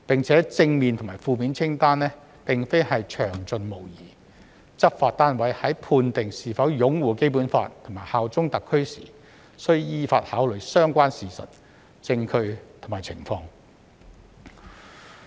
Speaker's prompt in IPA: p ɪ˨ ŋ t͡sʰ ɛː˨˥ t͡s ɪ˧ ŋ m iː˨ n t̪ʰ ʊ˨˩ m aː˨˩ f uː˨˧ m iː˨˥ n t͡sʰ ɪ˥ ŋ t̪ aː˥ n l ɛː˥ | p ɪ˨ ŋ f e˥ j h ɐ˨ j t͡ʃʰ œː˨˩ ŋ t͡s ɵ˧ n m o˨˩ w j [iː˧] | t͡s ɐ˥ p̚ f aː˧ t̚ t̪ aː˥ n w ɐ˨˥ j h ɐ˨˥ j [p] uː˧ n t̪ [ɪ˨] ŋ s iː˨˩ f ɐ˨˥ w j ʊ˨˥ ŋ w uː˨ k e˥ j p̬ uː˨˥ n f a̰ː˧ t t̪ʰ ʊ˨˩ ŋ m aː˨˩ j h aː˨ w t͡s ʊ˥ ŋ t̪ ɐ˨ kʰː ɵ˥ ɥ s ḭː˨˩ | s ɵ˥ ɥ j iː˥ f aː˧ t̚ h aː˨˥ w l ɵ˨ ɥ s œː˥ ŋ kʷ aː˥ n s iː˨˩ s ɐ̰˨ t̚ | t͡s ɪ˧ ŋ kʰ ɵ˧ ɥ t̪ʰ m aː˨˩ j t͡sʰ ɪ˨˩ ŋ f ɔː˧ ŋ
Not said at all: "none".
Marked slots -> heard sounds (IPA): iː˨˩, pʰ, ɪ˨

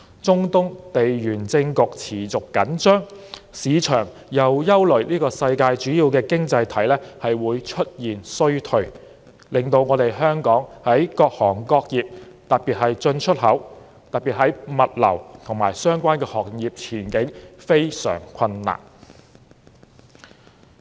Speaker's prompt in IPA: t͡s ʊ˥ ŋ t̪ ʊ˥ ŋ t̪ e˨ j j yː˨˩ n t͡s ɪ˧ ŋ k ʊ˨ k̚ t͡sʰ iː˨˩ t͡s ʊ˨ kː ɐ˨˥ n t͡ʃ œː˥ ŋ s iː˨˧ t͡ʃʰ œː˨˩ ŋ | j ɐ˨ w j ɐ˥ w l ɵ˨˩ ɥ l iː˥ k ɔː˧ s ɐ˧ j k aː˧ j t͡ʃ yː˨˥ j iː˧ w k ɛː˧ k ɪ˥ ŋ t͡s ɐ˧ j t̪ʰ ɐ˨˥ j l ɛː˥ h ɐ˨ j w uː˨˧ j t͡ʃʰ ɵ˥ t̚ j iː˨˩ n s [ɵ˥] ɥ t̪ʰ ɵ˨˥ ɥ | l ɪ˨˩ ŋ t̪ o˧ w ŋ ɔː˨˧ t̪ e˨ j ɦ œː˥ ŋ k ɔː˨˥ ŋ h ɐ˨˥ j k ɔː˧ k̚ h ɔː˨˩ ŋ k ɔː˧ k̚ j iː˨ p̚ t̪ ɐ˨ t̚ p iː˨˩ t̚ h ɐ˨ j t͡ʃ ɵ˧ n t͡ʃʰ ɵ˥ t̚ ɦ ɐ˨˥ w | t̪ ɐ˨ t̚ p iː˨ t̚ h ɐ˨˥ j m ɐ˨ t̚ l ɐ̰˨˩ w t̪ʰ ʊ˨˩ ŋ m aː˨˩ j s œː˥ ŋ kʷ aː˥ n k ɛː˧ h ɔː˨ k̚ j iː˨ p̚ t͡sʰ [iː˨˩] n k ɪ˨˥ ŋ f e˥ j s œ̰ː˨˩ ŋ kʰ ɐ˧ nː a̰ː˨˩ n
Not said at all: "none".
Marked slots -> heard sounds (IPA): ɵ˥, iː˨˩

